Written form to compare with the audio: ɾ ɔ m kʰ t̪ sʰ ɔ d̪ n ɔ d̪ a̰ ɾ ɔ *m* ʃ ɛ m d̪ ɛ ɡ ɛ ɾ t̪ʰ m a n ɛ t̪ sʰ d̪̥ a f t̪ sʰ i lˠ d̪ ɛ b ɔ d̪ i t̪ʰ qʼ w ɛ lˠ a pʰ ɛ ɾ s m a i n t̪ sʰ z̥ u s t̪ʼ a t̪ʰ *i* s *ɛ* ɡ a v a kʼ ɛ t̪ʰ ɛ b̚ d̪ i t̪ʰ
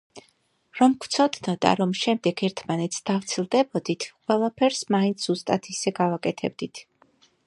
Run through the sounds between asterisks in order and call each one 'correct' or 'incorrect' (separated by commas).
correct, correct, correct